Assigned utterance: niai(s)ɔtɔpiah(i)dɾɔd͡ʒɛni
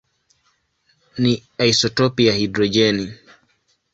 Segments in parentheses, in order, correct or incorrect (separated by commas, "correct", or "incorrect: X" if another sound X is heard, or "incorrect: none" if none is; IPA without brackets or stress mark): correct, correct